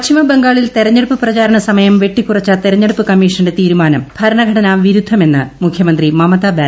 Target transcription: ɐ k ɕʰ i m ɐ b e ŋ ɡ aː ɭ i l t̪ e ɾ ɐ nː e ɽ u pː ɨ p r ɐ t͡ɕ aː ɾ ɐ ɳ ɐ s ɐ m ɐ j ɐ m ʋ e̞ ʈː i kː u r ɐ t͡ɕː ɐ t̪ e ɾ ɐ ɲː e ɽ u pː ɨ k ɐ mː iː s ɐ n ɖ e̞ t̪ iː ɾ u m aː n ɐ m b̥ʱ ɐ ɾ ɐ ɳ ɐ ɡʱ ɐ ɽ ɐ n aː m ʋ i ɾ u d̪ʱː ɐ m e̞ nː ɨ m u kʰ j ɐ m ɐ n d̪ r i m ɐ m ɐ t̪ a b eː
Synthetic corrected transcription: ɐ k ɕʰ i m ɐ b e ŋ ɡ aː ɭ i l t̪ e ɾ ɐ ɲː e ɽ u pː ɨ p r ɐ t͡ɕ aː ɾ ɐ ɳ ɐ s ɐ m ɐ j ɐ m ʋ e̞ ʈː i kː u r ɐ t͡ɕː ɐ t̪ e ɾ ɐ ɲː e ɽ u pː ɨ k ɐ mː iː ʂ ɐ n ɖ e̞ t̪ iː ɾ u m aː n ɐ m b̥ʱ ɐ ɾ ɐ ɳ ɐ ɡʱ ɐ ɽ ɐ n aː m ʋ i ɾ u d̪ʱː ɐ m e̞ nː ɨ m u kʰ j ɐ m ɐ n d̪ r i m ɐ m ɐ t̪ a b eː